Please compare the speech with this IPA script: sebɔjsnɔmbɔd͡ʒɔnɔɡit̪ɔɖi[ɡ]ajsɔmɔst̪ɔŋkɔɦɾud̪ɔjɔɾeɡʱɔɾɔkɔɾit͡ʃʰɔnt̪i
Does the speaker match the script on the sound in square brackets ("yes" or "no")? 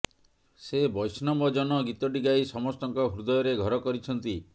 yes